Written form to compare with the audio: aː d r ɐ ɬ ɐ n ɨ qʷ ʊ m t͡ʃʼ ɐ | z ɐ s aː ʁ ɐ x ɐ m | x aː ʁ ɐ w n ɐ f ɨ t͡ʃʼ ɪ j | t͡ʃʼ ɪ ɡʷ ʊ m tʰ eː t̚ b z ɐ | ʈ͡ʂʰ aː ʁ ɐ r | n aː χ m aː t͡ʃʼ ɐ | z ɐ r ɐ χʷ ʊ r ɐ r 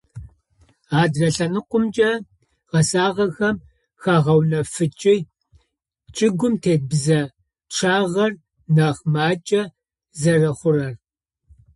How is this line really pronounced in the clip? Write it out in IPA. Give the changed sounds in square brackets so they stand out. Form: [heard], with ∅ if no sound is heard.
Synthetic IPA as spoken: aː d r ɐ ɬ ɐ n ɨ qʷ ʊ m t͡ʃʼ ɐ | [ʁ] ɐ s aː ʁ ɐ x ɐ m | x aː ʁ ɐ w n ɐ f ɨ t͡ʃʼ ɪ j | t͡ʃʼ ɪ ɡʷ ʊ m tʰ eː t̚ b z ɐ | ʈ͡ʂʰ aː ʁ ɐ r | n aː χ m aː t͡ʃʼ ɐ | z ɐ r ɐ χʷ ʊ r ɐ r